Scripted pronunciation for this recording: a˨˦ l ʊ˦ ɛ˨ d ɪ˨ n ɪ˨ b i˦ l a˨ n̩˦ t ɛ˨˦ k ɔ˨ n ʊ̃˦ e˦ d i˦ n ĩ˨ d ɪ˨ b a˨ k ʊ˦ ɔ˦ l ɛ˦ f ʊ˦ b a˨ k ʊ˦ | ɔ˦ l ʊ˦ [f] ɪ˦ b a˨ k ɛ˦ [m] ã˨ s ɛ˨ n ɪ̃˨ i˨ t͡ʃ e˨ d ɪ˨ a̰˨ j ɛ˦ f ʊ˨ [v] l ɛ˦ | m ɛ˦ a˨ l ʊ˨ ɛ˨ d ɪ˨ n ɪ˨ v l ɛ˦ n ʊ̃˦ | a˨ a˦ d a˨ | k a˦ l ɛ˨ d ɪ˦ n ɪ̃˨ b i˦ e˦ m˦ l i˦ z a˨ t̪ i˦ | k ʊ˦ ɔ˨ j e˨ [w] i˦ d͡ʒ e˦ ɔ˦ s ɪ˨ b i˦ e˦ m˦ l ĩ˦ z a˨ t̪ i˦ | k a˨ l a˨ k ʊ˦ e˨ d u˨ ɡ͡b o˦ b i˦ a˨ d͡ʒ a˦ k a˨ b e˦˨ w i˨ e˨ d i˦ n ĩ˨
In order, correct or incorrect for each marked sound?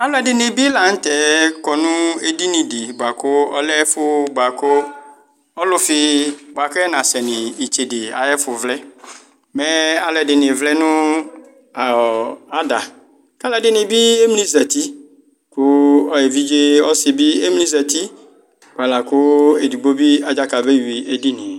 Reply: correct, incorrect: n, correct, incorrect: v

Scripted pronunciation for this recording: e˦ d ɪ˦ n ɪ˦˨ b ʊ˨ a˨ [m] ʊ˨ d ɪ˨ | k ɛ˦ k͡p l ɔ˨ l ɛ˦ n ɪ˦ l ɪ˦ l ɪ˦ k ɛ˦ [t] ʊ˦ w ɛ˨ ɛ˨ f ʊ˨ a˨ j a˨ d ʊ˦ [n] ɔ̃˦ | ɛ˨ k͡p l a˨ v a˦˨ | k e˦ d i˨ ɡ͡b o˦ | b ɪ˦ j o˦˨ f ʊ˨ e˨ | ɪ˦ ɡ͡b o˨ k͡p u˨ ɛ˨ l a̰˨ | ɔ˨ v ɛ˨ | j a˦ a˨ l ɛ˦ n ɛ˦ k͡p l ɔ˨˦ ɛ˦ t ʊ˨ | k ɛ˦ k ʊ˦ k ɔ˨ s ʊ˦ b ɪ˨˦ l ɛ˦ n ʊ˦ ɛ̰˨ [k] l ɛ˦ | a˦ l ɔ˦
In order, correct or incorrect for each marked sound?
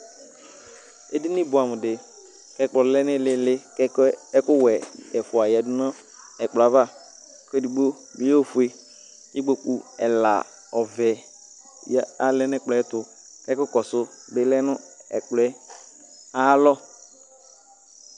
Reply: correct, incorrect: k, correct, incorrect: k͡p

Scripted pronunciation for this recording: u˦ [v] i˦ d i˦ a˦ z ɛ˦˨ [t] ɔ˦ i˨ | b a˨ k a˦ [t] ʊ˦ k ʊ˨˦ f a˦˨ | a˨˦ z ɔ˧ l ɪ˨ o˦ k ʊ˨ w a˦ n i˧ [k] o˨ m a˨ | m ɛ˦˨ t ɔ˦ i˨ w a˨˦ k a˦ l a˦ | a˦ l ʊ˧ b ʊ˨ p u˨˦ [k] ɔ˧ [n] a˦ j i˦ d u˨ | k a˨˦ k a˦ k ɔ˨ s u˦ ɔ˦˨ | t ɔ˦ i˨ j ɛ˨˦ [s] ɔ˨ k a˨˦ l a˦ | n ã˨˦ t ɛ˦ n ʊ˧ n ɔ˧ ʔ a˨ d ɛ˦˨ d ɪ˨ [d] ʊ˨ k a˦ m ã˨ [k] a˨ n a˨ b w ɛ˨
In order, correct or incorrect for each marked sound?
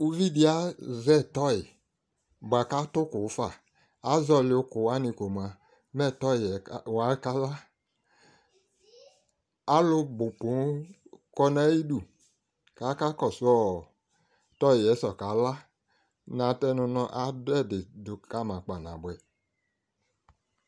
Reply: correct, correct, correct, correct, correct, correct, correct, correct, incorrect: k͡p

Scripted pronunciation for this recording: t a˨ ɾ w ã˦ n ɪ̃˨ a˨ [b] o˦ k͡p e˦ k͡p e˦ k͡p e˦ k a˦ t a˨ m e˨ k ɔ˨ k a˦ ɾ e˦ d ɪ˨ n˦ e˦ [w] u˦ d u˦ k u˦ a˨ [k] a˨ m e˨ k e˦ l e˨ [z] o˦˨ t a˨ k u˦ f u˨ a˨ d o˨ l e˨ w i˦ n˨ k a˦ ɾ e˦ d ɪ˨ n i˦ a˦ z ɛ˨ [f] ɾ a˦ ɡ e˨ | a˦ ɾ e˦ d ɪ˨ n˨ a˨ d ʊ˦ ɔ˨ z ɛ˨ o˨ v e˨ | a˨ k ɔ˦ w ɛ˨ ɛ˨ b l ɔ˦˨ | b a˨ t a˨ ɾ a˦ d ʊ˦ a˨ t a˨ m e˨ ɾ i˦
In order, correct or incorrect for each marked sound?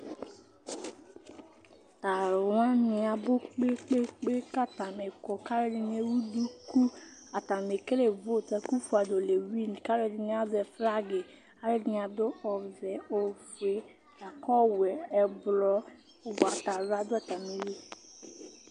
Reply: correct, correct, incorrect: t, incorrect: v, correct

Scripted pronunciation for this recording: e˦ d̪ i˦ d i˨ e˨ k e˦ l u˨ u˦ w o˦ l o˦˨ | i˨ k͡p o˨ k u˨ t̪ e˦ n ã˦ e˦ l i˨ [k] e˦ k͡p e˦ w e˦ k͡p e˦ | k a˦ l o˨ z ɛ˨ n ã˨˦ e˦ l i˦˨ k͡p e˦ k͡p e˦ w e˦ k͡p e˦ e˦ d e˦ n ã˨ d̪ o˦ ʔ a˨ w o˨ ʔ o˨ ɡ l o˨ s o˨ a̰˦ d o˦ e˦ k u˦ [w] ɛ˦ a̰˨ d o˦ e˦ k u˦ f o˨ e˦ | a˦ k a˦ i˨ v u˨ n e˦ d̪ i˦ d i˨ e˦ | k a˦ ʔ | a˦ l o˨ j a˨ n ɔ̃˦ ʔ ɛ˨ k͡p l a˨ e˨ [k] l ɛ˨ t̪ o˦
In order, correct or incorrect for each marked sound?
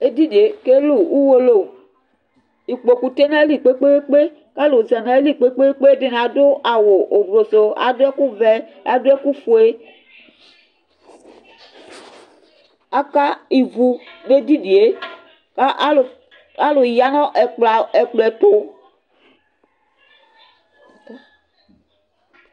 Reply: incorrect: k͡p, incorrect: v, incorrect: k͡p

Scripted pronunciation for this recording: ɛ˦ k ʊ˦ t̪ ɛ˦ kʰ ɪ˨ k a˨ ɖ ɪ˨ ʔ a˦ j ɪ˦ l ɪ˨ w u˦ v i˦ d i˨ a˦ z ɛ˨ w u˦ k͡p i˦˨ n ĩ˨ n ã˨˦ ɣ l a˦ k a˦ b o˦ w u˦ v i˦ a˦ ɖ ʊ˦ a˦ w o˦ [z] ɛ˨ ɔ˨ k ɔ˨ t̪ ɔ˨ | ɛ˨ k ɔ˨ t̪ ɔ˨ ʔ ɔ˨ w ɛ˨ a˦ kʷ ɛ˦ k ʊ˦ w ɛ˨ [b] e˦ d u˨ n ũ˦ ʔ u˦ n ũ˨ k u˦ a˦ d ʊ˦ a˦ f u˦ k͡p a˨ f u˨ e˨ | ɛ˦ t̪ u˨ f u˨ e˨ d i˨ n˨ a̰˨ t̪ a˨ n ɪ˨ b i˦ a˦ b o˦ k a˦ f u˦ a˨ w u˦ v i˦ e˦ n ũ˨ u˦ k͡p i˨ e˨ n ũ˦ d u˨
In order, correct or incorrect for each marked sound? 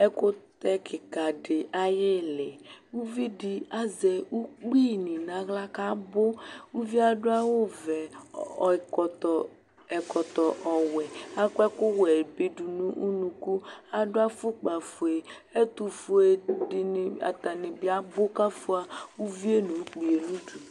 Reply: incorrect: v, correct

